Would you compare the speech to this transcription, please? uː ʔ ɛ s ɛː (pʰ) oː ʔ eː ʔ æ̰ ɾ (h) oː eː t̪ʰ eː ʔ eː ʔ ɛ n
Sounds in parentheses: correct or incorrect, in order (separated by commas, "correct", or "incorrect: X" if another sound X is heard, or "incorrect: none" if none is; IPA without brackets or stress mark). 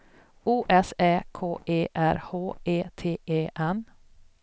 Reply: incorrect: kʰ, correct